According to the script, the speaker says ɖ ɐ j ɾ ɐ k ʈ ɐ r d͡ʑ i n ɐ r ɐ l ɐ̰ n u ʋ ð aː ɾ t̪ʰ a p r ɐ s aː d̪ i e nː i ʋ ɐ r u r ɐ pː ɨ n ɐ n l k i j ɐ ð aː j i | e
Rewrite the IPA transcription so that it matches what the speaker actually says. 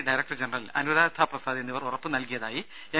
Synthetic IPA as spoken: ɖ ɐ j ɾ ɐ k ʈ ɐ r d͡ʑ e n ɐ r ɐ l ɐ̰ n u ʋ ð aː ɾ t̪ʰ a p r ɐ s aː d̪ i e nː i ʋ ɐ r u r ɐ pː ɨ n ɐ l k i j ɐ ð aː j i | e